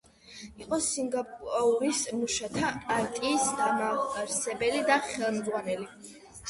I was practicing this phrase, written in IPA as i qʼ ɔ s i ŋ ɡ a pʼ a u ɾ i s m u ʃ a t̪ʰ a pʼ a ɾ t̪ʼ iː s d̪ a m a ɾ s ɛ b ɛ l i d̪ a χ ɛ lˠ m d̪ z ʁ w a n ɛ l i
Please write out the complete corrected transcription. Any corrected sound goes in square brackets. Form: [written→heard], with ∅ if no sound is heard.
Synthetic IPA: i qʼ ɔ s i ŋ ɡ a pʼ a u ɾ i s m u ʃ a t̪ʰ a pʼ a ɾ t̪ʼ iː s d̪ a m a ɾ s ɛ b ɛ l i d̪ a χ ɛ lˠ m d̪ z ʁ w a n ɛ l i